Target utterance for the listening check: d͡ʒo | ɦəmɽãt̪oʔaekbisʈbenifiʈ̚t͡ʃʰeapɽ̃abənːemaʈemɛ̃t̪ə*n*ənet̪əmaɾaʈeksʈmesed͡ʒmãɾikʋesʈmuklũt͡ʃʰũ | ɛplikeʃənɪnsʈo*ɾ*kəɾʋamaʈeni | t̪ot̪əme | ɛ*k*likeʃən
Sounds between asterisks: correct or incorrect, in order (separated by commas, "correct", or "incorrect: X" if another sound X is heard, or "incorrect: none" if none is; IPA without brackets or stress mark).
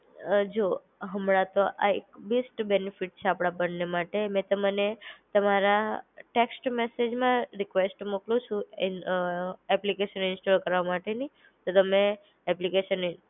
incorrect: m, incorrect: l, incorrect: p